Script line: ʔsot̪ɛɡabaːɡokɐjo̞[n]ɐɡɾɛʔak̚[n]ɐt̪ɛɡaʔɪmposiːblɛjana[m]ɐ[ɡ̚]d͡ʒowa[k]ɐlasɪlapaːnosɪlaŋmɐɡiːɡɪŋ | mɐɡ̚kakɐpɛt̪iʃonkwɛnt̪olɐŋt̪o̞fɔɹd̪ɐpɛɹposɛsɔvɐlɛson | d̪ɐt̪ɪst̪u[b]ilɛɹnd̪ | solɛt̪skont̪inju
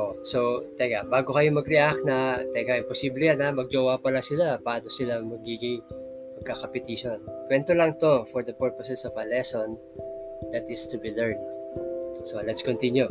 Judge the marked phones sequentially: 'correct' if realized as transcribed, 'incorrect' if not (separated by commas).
incorrect, correct, correct, correct, incorrect, correct